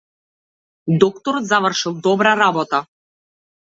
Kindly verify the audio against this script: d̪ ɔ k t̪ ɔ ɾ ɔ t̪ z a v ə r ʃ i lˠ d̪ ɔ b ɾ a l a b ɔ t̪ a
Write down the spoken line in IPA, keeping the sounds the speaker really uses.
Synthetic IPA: d̪ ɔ k t̪ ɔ ɾ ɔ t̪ z a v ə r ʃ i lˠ d̪ ɔ b ɾ a ɾ a b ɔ t̪ a